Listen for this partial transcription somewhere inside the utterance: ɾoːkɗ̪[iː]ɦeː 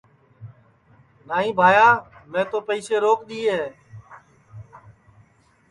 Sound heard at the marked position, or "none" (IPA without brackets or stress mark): iː